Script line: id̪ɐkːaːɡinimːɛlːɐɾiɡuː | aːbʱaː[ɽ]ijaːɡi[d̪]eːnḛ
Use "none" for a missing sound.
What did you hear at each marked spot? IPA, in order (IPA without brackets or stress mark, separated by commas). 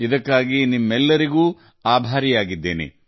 ɾ, d̪ː